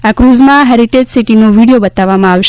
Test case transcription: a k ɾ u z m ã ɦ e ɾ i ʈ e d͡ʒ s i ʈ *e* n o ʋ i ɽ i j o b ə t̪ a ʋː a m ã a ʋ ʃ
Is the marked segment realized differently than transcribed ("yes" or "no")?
yes